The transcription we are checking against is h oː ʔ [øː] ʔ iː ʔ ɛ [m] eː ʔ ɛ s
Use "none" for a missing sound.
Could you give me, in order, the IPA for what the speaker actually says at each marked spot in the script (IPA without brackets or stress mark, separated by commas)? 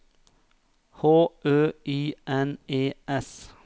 øː, n